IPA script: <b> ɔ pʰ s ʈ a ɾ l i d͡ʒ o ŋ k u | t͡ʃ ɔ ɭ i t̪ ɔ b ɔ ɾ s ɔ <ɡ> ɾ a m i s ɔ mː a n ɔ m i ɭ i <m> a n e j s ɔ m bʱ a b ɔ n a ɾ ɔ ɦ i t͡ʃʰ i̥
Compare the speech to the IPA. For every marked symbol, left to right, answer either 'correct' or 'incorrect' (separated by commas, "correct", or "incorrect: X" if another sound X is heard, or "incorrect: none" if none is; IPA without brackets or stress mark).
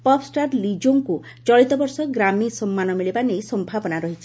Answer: incorrect: p, correct, incorrect: b